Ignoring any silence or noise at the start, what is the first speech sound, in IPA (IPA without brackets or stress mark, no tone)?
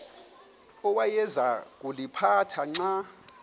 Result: ɔ